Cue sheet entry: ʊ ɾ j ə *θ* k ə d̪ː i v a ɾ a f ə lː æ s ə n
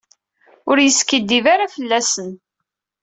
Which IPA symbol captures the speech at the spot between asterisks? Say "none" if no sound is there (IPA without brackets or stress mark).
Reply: s